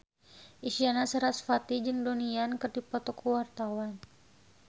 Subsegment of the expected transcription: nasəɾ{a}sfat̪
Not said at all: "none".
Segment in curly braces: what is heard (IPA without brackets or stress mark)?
a